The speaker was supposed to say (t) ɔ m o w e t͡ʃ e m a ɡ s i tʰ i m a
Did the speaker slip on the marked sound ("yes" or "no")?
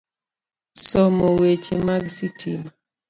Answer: yes